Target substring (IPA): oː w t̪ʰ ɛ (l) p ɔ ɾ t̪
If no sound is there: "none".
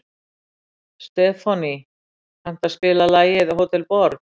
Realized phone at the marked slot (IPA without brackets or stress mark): l